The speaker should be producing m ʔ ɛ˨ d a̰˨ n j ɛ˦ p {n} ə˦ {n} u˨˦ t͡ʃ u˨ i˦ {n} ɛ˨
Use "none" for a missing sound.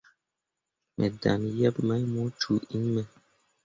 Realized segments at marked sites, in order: m, m, m

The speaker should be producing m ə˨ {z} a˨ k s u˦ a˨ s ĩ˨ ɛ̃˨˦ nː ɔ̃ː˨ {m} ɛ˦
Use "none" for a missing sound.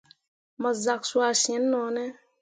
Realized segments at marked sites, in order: z, n

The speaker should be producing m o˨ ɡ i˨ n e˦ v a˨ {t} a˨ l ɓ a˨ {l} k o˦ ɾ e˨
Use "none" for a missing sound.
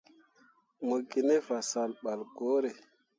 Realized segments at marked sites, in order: s, l

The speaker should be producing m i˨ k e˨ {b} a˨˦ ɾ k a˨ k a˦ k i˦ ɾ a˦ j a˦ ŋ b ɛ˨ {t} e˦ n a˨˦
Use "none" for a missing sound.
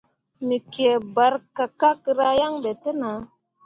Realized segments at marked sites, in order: b, t

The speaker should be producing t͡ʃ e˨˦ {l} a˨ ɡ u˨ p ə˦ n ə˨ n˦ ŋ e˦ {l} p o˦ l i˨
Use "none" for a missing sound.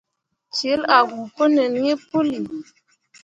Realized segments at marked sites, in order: l, none

